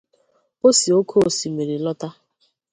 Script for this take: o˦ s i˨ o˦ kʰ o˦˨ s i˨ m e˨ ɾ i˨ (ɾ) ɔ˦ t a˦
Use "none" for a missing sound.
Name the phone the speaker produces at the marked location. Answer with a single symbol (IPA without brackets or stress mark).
l